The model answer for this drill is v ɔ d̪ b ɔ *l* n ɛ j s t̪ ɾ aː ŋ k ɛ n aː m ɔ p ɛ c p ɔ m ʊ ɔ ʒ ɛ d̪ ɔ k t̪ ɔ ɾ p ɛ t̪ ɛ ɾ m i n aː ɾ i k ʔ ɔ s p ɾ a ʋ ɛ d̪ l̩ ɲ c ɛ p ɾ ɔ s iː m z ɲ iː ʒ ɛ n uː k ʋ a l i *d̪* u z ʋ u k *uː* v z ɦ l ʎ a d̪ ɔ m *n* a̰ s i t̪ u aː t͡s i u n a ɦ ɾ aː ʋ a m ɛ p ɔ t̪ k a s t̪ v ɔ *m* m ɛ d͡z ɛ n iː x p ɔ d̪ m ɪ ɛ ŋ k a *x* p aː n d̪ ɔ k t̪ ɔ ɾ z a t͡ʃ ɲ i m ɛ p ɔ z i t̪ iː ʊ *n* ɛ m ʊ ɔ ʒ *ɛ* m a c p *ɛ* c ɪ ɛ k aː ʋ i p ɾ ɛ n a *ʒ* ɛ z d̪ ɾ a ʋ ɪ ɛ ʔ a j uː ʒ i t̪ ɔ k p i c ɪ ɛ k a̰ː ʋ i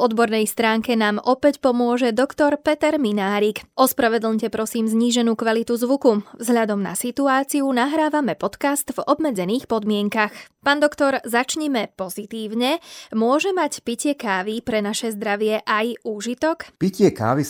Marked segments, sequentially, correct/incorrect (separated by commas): incorrect, incorrect, incorrect, correct, incorrect, correct, incorrect, correct, incorrect, incorrect